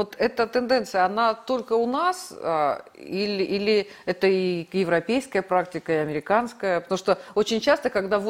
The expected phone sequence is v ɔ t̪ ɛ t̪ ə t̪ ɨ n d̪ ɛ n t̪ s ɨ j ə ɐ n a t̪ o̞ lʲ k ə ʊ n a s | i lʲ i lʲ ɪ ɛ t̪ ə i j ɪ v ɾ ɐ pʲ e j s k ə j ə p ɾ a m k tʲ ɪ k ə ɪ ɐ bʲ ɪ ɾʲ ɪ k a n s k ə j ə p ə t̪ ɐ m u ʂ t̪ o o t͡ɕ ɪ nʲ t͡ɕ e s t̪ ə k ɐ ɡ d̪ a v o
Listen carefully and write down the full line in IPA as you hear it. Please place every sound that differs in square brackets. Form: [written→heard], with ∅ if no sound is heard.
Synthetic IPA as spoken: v [ɔ→o] t̪ ɛ t̪ ə t̪ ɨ n d̪ ɛ n t̪ s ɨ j ə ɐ n a t̪ o̞ lʲ k ə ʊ n a s | i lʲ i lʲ ɪ ɛ t̪ ə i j ɪ v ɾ ɐ pʲ e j s k ə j ə p ɾ a [m→∅] k tʲ ɪ k ə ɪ ɐ [bʲ→mʲ] ɪ ɾʲ ɪ k a n s k ə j ə p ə t̪ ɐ m u ʂ t̪ o o t͡ɕ ɪ nʲ t͡ɕ [e→a] s t̪ ə k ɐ ɡ d̪ a v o